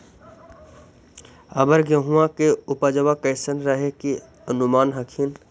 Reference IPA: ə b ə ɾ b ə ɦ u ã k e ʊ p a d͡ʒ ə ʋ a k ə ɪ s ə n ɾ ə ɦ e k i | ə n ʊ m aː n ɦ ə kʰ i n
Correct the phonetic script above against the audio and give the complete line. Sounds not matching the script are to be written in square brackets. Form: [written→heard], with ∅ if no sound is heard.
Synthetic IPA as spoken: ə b ə ɾ [b→ɡ] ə ɦ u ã k e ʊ p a d͡ʒ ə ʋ a k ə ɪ s ə n ɾ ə ɦ e k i | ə n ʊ m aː n ɦ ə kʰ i n